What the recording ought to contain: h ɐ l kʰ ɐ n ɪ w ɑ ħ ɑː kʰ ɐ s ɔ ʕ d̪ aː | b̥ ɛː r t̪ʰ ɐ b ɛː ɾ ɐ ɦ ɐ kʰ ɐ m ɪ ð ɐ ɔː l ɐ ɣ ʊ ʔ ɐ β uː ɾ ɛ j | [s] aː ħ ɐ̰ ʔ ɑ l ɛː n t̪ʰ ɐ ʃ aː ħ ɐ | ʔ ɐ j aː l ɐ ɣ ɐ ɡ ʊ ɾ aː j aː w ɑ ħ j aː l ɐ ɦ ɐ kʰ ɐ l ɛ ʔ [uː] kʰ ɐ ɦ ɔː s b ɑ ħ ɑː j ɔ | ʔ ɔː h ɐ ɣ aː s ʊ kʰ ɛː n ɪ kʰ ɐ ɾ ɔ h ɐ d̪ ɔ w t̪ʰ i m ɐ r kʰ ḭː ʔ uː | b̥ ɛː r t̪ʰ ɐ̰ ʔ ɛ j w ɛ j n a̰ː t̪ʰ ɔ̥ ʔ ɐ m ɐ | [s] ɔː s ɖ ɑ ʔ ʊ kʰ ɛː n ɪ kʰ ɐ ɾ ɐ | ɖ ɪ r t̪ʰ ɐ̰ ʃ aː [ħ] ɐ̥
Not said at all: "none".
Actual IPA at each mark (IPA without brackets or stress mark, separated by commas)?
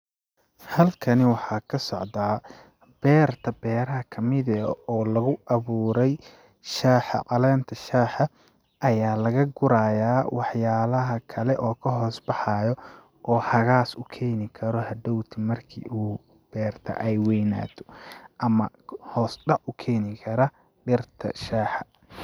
ʃ, ɔː, h, ħ